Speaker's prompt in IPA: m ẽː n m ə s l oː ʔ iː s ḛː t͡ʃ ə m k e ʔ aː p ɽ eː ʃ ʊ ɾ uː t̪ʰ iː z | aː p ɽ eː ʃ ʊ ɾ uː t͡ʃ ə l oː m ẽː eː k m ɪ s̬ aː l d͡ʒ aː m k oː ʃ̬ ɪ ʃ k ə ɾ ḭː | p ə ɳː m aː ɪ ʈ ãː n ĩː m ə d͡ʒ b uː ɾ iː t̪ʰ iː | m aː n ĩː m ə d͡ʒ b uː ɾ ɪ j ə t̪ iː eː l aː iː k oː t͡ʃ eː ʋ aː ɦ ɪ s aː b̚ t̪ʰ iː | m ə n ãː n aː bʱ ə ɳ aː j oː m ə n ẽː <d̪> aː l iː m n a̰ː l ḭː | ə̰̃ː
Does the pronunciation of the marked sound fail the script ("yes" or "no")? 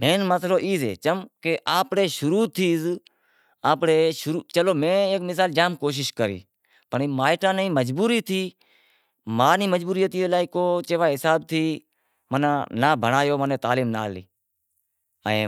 yes